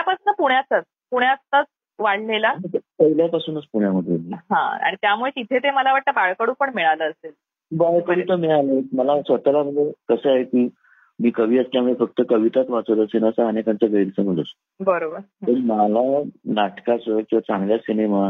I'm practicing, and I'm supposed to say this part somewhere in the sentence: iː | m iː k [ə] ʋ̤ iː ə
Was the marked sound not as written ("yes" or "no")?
no